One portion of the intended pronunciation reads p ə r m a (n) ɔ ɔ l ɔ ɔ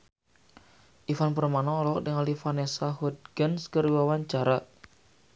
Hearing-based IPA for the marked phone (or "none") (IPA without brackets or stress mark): n